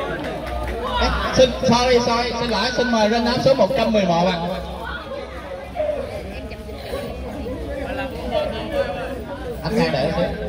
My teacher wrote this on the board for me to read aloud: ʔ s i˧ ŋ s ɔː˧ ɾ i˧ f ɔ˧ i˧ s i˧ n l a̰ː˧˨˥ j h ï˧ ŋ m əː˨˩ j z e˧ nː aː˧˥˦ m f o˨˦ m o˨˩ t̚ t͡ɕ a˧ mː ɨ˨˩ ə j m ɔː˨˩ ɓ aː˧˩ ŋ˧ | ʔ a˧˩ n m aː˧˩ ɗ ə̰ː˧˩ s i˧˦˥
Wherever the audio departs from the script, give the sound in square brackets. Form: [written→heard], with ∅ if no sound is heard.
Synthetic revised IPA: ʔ s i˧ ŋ s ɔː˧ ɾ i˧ [f→s] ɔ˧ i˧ s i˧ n l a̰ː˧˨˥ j [h→s] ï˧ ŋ m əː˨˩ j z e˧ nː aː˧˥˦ m [f→s] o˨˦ m o˨˩ t̚ t͡ɕ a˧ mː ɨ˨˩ ə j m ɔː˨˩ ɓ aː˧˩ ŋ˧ | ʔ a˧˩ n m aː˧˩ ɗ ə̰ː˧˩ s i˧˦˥